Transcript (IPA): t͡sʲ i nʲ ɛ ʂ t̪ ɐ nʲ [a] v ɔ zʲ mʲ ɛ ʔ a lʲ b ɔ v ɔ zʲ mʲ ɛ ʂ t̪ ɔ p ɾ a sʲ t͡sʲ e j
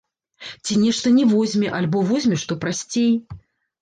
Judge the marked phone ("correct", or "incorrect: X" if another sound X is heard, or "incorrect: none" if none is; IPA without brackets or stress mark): incorrect: ɛ